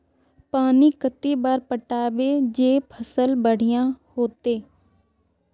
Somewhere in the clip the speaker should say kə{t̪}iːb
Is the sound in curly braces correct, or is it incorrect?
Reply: correct